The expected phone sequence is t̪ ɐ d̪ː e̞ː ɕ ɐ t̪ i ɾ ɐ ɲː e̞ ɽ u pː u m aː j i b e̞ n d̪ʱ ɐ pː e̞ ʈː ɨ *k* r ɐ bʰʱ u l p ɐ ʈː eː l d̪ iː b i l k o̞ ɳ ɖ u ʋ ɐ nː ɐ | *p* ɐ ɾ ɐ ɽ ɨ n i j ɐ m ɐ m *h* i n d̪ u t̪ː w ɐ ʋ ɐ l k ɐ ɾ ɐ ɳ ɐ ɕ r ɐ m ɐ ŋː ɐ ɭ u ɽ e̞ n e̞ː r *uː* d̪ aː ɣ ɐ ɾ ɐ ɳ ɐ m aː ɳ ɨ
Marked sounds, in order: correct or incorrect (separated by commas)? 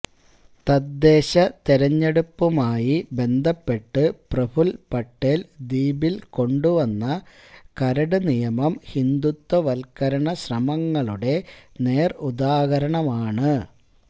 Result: incorrect, incorrect, correct, incorrect